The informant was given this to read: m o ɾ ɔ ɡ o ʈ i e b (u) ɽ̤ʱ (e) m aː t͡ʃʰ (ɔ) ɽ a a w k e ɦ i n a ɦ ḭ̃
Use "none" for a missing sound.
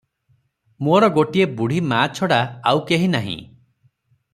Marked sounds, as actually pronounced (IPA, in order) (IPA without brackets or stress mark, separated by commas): u, i, ɔ